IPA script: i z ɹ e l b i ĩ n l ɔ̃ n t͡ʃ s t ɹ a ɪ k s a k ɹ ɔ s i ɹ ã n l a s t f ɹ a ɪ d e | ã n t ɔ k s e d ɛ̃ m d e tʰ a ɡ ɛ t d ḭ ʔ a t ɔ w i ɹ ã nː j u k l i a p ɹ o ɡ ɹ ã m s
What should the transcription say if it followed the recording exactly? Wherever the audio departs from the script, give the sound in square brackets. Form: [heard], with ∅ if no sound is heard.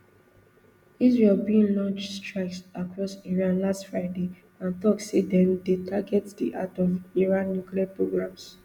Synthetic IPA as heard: i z ɹ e l b i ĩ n l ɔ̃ n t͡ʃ s t ɹ a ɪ k s a k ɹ ɔ s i ɹ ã n l a s t f ɹ a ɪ d e | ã n t ɔ k s e d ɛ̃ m d e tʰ a ɡ ɛ t d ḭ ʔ a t ɔ [v] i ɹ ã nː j u k l i a p ɹ o ɡ ɹ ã m s